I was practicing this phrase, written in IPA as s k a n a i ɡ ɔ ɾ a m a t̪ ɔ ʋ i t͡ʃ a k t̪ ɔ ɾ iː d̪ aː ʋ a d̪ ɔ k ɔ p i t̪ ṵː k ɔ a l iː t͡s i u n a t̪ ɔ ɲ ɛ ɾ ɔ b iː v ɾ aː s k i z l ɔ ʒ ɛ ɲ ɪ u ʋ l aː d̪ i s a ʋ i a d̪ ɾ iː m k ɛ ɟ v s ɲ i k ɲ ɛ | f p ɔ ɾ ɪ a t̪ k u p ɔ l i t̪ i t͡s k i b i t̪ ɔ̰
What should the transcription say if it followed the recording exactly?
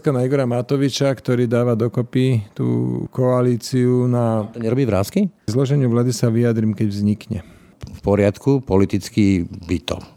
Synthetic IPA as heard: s k a n a i ɡ ɔ ɾ a m a t̪ ɔ ʋ i t͡ʃ a k t̪ ɔ ɾ iː d̪ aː ʋ a d̪ ɔ k ɔ p i t̪ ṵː k ɔ a l iː t͡s i u n a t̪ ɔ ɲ ɛ ɾ ɔ b iː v ɾ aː s k i z l ɔ ʒ ɛ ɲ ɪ u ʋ l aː d̪ i s a ʋ i a d̪ ɾ iː m k ɛ ɟ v z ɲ i k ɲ ɛ | f p ɔ ɾ ɪ a t̪ k u p ɔ l i t̪ i t͡s k i b i t̪ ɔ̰